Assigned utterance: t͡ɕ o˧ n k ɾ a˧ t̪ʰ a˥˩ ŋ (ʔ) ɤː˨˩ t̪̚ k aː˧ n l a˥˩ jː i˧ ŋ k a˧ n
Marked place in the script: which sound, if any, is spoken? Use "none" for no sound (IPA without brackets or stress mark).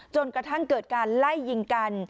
k